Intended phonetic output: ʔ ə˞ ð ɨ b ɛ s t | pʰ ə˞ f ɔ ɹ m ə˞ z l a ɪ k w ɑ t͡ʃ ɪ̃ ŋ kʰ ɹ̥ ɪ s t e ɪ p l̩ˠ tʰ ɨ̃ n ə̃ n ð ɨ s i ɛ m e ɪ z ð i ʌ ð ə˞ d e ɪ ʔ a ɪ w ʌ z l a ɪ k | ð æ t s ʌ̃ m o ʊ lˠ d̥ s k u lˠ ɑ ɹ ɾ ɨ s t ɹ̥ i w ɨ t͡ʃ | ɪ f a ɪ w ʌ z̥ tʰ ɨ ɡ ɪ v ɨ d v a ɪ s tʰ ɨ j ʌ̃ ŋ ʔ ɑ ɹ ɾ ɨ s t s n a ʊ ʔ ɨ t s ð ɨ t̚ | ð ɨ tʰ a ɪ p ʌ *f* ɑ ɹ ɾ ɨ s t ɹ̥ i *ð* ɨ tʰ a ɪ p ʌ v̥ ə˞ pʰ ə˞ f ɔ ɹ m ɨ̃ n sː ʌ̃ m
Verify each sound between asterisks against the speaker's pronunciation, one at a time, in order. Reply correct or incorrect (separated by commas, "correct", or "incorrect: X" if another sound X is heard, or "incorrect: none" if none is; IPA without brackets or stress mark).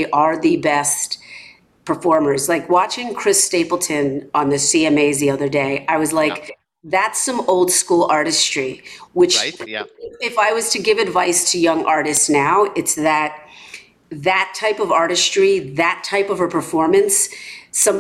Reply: incorrect: v, correct